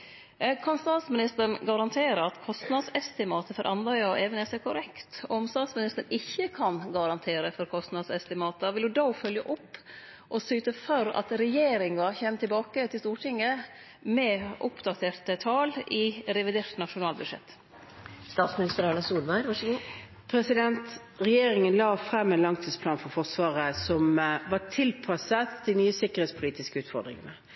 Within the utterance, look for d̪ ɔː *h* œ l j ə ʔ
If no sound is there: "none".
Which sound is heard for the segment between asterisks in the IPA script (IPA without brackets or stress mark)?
f